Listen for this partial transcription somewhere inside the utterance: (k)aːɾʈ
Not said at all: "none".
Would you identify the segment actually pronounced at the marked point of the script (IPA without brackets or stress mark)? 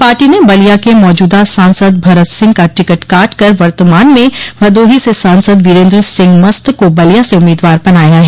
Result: p